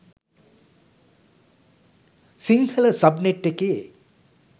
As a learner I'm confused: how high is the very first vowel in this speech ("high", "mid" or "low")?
high